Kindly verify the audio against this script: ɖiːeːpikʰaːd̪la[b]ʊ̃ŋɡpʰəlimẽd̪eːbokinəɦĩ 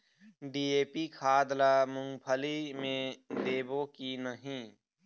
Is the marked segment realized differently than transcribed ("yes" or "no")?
yes